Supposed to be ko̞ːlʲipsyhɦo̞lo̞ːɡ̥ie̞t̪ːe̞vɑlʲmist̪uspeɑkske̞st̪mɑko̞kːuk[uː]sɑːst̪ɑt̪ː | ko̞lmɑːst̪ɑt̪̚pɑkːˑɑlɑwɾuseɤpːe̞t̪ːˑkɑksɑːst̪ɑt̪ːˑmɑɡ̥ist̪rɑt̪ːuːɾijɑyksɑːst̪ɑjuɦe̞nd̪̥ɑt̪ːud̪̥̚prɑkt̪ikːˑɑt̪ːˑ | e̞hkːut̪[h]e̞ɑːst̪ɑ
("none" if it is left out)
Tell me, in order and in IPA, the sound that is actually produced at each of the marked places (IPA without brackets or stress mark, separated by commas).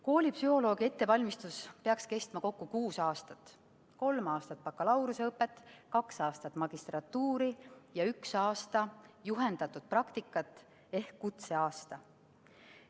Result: uː, s